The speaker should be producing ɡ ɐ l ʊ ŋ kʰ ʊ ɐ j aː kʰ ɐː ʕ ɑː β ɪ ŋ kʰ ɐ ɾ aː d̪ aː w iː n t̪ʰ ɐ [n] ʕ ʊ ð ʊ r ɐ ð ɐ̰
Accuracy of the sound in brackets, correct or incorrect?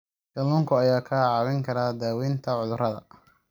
incorrect: none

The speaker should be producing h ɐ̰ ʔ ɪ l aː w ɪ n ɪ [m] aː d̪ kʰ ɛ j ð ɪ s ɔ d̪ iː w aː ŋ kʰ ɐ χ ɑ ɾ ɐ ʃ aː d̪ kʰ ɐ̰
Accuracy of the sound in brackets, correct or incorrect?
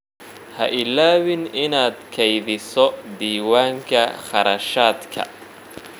incorrect: n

